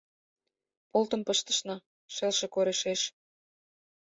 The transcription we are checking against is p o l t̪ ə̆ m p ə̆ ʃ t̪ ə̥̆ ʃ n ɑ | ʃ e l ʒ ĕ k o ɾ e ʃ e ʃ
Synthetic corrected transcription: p o l t̪ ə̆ m p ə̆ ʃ t̪ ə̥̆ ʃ n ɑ | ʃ e l ʃ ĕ k o ɾ e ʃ e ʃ